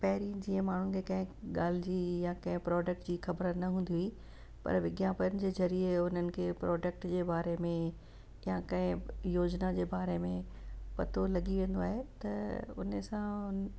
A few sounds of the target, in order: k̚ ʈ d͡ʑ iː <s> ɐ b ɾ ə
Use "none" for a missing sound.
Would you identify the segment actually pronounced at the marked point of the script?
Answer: x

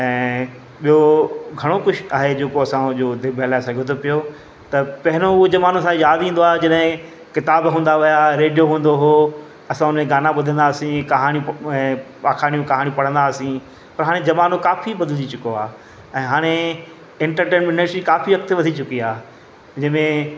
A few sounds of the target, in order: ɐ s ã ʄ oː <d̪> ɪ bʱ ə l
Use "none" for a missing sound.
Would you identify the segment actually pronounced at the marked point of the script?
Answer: d̪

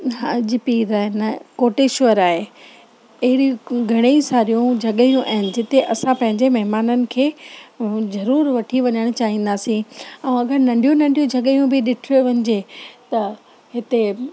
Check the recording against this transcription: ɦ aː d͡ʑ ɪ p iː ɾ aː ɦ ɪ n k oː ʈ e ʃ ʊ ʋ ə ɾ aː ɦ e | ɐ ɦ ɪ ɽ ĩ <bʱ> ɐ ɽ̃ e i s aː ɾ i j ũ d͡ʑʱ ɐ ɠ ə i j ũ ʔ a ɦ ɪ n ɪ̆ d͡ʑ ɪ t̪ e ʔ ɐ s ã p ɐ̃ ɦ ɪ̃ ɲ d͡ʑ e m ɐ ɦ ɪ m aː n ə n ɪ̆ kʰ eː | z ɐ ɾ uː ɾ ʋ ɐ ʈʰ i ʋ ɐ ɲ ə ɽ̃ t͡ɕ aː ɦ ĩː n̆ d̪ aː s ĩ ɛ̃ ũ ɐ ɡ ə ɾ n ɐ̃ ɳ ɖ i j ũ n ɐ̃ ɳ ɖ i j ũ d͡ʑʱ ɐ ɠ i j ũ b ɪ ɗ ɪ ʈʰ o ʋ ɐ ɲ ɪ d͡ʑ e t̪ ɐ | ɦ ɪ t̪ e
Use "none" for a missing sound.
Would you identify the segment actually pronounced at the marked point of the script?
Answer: ɡʱ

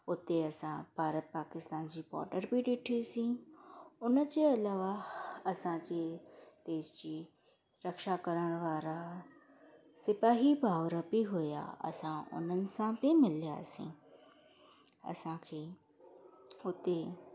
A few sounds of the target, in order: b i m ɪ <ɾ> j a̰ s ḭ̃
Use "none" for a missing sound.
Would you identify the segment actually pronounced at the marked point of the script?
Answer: l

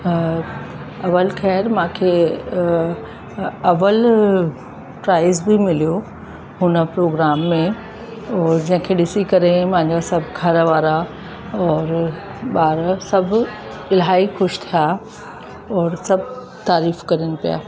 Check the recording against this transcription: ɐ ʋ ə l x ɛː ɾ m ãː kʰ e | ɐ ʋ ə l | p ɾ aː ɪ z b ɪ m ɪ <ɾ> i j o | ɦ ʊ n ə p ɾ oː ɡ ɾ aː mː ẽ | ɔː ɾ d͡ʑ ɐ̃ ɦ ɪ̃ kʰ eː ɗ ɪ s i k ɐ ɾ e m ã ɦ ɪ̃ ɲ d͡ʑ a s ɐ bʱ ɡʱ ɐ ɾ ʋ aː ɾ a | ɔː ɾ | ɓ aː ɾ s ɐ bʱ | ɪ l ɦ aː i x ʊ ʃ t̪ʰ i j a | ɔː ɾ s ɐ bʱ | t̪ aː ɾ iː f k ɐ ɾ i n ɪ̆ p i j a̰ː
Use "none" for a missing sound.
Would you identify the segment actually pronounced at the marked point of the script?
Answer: l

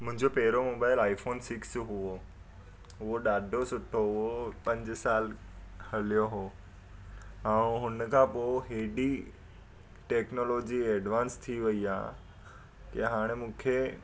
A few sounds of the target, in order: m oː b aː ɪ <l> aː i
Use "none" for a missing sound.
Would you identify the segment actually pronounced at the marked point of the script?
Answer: l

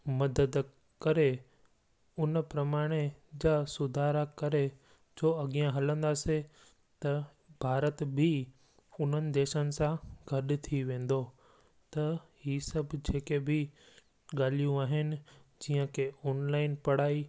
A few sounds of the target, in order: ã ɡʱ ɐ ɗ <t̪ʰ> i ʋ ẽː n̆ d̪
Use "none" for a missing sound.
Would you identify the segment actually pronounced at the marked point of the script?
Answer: t̪ʰ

